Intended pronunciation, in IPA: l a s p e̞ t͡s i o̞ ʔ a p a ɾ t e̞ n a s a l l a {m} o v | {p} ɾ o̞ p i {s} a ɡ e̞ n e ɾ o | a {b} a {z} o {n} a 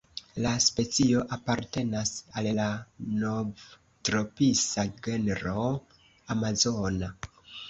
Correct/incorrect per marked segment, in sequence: incorrect: n, incorrect: t, correct, incorrect: m, correct, correct

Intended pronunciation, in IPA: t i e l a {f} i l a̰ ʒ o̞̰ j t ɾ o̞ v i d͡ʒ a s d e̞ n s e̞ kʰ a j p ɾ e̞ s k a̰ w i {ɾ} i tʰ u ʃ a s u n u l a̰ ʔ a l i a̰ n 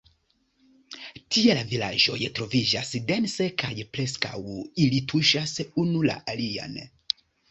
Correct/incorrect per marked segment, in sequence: incorrect: v, incorrect: l

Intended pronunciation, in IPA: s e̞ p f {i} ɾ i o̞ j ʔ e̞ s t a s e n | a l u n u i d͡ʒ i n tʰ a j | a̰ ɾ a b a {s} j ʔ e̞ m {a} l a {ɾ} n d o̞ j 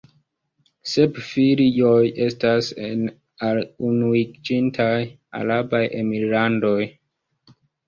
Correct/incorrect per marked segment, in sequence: correct, incorrect: none, incorrect: i, incorrect: none

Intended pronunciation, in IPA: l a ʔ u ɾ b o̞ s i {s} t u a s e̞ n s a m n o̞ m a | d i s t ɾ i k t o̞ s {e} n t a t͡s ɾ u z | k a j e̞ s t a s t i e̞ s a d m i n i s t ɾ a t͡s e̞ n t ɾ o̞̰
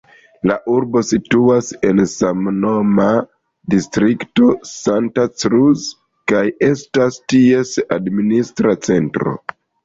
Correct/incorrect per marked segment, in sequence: incorrect: none, incorrect: a

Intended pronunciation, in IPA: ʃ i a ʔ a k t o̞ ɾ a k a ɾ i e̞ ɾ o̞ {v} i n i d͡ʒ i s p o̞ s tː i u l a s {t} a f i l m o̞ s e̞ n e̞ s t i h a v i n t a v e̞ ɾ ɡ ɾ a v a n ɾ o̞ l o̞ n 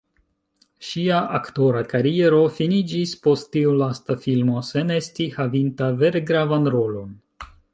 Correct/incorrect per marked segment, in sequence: incorrect: f, correct

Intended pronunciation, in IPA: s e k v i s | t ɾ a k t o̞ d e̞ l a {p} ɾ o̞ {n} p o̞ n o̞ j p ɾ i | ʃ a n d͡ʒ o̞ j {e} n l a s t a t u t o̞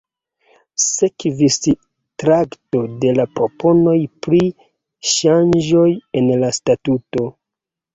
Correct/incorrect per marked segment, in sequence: correct, incorrect: none, correct

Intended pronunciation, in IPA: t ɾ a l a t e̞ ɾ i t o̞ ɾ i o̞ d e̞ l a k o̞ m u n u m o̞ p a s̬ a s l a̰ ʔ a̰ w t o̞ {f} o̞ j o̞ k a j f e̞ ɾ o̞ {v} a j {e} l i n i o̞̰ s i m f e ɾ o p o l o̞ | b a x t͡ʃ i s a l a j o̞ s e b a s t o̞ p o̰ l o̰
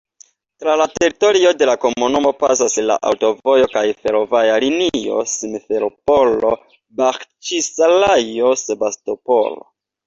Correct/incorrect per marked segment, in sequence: incorrect: v, correct, incorrect: a

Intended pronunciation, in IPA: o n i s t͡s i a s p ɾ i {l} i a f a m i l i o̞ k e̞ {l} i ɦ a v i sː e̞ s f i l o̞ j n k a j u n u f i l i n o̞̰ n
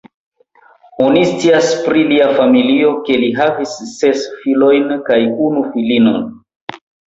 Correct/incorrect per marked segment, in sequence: correct, correct

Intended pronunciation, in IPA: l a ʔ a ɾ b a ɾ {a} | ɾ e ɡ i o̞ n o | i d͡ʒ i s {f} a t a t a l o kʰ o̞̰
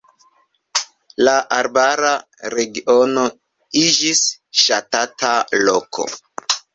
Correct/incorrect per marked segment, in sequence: correct, incorrect: ʃ

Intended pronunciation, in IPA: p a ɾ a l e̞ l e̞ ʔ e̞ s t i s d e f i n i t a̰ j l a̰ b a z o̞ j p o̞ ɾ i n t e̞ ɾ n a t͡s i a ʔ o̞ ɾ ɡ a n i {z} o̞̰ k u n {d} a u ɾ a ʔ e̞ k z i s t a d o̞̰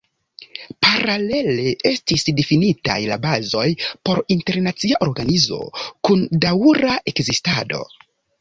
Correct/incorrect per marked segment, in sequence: correct, correct

